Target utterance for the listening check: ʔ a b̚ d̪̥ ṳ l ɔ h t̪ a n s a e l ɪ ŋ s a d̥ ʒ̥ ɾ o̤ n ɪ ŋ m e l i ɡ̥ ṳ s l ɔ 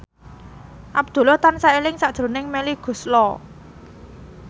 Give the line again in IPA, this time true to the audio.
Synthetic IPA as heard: ʔ a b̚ d̪̥ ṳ l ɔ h t̪ a n s a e l ɪ ŋ s a d̥ ʒ̥ ɾ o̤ n ɪ ŋ m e l i ɡ̥ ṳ s l ɔ